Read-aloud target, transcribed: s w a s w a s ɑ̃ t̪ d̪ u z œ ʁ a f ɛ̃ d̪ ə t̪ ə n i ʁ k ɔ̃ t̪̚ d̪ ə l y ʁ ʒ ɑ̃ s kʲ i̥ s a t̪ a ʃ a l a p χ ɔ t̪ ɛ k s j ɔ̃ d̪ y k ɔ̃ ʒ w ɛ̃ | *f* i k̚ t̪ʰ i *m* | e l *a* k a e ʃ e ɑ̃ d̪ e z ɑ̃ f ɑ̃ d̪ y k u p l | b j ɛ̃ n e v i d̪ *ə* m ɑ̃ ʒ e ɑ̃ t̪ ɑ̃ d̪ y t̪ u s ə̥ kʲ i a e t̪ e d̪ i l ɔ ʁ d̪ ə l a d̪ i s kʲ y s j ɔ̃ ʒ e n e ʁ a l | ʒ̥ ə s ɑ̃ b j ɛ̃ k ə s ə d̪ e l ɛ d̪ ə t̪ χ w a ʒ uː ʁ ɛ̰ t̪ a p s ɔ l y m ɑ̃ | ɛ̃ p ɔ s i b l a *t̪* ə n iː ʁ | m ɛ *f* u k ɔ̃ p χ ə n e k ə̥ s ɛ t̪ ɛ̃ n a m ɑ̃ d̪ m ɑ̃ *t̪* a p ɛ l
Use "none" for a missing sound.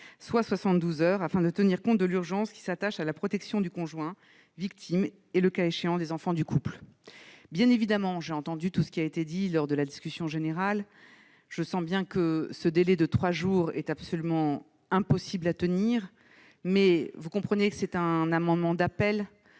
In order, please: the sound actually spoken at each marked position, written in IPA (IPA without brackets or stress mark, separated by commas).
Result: v, m, ə, a, t̪, v, d̪